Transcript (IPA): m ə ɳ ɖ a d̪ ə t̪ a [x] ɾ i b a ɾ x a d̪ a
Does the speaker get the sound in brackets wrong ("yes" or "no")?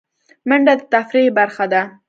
yes